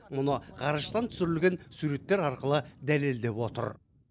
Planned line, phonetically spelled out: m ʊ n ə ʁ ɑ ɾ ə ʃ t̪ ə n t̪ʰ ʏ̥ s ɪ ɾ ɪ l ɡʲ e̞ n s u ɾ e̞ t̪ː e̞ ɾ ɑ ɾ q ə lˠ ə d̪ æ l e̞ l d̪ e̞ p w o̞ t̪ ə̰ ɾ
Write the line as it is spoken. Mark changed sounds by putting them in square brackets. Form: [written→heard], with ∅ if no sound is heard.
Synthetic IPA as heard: m ʊ n ə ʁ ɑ ɾ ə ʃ t̪ [ə→ɑ] n t̪ʰ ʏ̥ s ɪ ɾ ɪ l ɡʲ e̞ n s u ɾ e̞ t̪ː e̞ ɾ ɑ ɾ q ə lˠ ə d̪ æ l e̞ l d̪ e̞ p w o̞ t̪ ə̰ ɾ